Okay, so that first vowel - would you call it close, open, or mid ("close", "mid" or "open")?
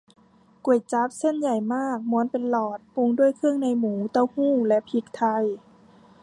close